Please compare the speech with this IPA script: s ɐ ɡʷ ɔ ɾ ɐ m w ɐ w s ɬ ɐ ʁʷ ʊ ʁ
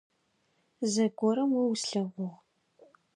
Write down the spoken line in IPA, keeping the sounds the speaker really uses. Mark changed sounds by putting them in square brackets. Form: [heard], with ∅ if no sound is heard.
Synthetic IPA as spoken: [z] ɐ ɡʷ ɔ ɾ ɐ m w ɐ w s ɬ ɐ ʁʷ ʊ ʁ